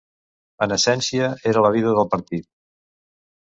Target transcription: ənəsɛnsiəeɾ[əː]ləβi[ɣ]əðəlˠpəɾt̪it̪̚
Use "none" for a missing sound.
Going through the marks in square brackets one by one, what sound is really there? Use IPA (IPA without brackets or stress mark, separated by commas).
ə, ð